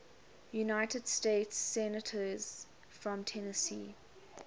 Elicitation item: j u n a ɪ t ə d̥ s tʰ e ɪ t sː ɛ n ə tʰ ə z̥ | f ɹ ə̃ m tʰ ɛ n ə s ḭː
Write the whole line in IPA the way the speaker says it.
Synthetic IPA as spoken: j u n a ɪ t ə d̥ s t e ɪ t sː ɛ n ə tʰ ə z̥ | f ɹ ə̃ m tʰ ɛ n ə s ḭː